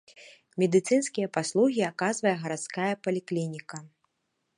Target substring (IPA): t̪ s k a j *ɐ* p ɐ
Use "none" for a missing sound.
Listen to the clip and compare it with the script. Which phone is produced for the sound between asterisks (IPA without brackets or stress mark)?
ɐ